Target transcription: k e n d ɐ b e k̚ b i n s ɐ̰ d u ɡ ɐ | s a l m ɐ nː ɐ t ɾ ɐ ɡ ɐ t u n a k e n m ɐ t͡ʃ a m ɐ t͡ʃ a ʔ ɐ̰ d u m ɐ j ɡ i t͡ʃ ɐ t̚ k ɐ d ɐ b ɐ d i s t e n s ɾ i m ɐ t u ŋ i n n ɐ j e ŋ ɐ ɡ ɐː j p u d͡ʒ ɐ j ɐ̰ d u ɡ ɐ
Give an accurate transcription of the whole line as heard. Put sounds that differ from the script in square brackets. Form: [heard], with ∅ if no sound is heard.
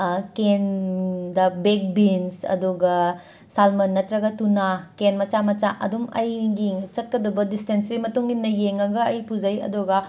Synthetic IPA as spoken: k e n d ɐ b e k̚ b i n s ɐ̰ d u ɡ ɐ | s a l m ɐ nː ɐ t ɾ ɐ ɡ ɐ t u n a k e n m ɐ t͡ʃ a m ɐ t͡ʃ a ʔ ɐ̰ d u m ɐ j ɡ i t͡ʃ ɐ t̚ k ɐ d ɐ b ɐ d i s t e n s ɾ i m ɐ t u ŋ i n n ɐ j e ŋ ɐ ɡ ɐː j p u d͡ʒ ɐ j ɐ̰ d u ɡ ɐ